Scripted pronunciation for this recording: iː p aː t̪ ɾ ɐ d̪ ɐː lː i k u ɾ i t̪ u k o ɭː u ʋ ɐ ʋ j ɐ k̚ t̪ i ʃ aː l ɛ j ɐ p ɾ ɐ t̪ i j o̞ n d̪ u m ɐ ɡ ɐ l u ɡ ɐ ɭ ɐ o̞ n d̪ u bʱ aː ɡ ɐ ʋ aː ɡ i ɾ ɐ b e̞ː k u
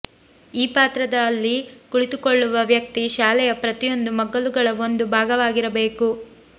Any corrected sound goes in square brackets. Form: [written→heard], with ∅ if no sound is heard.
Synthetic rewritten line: iː p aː t̪ ɾ ɐ d̪ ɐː lː i k u [ɾ→ɭ] i t̪ u k o ɭː u ʋ ɐ ʋ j ɐ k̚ t̪ i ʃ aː l ɛ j ɐ p ɾ ɐ t̪ i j o̞ n d̪ u m ɐ ɡ ɐ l u ɡ ɐ ɭ ɐ o̞ n d̪ u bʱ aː ɡ ɐ ʋ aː ɡ i ɾ ɐ b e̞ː k u